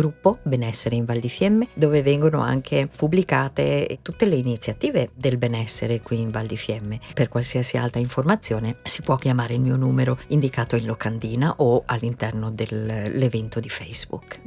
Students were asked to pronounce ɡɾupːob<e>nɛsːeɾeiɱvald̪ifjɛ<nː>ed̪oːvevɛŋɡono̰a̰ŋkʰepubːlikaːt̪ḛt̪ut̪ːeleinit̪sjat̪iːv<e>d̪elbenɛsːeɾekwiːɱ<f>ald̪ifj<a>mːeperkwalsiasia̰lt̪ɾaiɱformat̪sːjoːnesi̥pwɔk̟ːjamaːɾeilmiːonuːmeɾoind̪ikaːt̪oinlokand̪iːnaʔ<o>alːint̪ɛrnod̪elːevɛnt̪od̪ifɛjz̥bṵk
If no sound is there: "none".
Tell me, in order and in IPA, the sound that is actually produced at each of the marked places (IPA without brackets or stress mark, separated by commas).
e, mː, e, v, ɛ, o